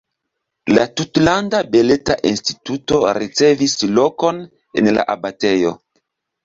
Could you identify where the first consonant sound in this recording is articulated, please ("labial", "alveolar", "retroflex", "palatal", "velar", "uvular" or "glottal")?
alveolar